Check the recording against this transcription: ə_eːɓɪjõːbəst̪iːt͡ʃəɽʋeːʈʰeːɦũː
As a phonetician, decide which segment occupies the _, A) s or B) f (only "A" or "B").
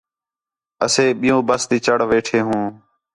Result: A